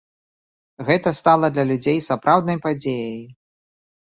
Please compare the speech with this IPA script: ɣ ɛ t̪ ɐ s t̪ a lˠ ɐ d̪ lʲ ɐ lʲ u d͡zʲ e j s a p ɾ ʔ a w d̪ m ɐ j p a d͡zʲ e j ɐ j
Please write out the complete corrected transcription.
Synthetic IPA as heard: ɣ ɛ t̪ ɐ s t̪ a lˠ ɐ d̪ lʲ ɐ lʲ u d͡zʲ e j s a p ɾ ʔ a w d̪ n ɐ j p a d͡zʲ e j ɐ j